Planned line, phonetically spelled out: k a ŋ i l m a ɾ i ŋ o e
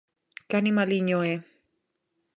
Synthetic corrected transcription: k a n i m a l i ɲ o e